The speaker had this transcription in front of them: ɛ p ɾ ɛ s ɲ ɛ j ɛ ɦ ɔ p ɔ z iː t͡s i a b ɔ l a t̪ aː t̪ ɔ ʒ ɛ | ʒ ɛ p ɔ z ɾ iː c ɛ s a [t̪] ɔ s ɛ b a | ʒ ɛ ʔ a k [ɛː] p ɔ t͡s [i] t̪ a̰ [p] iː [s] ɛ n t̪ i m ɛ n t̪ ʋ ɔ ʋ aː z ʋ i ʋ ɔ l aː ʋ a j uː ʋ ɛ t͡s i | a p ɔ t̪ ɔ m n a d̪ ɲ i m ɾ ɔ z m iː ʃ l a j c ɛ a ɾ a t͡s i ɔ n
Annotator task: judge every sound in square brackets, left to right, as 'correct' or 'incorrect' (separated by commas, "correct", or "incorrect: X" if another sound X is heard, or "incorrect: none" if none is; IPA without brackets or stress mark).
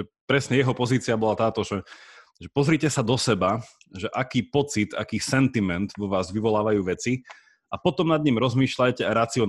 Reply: incorrect: d̪, incorrect: iː, correct, incorrect: k, correct